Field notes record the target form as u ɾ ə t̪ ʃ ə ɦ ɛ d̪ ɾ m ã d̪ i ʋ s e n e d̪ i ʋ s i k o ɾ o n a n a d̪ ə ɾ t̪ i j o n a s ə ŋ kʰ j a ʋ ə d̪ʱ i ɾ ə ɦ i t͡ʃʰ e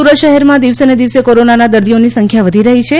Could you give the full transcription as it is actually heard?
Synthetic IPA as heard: u ɾ ə t̪ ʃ ə ɦ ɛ ɾ m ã d̪ i ʋ s e n e d̪ i ʋ s e k o ɾ o n a n a d̪ ə ɾ d̪ i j o n i s ə ŋ kʰ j a ʋ ə d̪ʱ i ɾ ə ɦ i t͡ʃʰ e